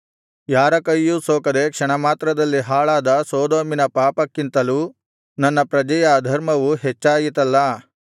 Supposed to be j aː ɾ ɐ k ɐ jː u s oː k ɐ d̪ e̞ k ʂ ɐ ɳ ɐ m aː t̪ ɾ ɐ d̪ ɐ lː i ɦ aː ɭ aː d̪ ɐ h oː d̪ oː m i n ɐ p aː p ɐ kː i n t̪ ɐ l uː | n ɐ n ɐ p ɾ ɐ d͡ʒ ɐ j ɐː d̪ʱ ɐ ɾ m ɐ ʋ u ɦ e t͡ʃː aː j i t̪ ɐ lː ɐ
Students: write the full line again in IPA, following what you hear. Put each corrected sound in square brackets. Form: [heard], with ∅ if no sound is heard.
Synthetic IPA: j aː ɾ ɐ k ɐ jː u s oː k ɐ d̪ e̞ k ʂ ɐ ɳ ɐ m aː t̪ ɾ ɐ d̪ ɐ lː i ɦ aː ɭ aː d̪ ɐ [s] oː d̪ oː m i n ɐ p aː p ɐ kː i n t̪ ɐ l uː | n ɐ [nː] ɐ p ɾ ɐ d͡ʒ ɐ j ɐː d̪ʱ ɐ ɾ m ɐ ʋ u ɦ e t͡ʃː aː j i t̪ ɐ lː ɐ